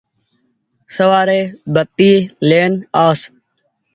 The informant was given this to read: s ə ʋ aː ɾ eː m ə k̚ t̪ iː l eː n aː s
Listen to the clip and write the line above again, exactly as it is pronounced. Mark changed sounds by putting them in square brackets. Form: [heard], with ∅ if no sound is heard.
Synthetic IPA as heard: s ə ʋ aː ɾ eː [b] ə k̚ t̪ iː l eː n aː s

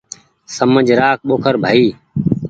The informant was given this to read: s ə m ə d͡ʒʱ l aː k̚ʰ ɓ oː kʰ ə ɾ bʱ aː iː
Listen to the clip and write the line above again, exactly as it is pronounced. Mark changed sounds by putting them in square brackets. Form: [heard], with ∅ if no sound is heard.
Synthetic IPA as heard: s ə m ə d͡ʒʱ [ɾ] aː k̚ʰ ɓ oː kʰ ə ɾ bʱ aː iː

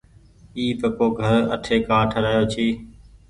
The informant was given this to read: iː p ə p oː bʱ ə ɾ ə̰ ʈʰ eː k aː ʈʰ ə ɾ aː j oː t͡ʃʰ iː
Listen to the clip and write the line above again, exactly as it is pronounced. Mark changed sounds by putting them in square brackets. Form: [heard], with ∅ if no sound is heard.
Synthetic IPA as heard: iː p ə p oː [ɡʱ] ə ɾ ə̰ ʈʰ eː k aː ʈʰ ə ɾ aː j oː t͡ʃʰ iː

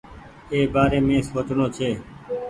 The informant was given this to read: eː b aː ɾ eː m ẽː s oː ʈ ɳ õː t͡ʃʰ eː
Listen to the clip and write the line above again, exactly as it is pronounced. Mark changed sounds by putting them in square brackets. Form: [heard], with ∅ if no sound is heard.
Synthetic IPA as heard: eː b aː ɾ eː m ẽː s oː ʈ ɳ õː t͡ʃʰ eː

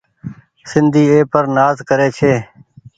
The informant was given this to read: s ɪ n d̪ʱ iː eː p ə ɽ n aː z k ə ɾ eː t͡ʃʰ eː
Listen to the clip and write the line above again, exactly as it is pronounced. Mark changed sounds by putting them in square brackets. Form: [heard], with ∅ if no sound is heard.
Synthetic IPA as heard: s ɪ n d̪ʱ iː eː p ə [ɾ] n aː z k ə ɾ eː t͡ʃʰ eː

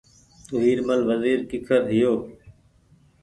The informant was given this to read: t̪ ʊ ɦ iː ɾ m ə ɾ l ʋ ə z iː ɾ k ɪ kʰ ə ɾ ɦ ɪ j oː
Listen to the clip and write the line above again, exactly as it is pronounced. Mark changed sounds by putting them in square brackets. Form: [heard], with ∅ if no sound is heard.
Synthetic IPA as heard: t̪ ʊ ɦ iː ɾ m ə [∅] l ʋ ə z iː ɾ k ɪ kʰ ə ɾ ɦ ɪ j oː

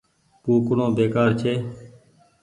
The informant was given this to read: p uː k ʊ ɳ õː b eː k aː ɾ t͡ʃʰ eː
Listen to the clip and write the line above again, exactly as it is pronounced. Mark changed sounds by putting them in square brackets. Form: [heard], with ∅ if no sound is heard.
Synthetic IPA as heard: p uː k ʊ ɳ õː b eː k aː ɾ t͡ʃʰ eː

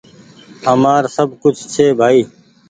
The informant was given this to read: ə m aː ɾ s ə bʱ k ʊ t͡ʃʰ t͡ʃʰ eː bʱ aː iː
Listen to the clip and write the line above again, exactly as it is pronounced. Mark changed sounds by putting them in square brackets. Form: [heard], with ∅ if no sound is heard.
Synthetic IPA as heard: ə m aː ɾ s ə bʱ k ʊ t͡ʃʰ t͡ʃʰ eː bʱ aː iː

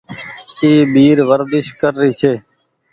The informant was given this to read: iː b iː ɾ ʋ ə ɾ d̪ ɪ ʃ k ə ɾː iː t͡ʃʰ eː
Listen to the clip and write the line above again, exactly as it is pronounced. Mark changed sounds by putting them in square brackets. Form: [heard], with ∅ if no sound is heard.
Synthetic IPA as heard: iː b iː ɾ ʋ ə ɾ d̪ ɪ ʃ k ə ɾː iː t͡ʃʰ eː

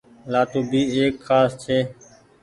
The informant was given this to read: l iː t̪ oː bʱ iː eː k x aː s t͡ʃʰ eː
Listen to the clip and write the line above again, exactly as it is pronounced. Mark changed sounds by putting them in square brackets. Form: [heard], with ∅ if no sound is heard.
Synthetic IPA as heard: l [aː] t̪ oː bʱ iː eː k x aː s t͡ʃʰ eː

